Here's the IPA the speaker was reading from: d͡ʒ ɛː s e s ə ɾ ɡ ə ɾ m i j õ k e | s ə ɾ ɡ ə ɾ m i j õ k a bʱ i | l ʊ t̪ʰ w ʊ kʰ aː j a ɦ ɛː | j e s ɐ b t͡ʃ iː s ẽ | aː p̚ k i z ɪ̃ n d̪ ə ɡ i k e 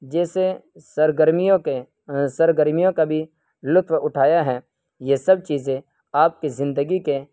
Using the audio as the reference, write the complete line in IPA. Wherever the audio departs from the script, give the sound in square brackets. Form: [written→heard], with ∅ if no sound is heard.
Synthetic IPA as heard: d͡ʒ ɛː s e s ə ɾ ɡ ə ɾ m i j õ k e | s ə ɾ ɡ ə ɾ m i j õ k a bʱ i | l ʊ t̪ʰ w ʊ [kʰ→ʈʰ] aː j a ɦ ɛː | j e s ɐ b t͡ʃ iː [s→z] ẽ | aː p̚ k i z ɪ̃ n d̪ ə ɡ i k e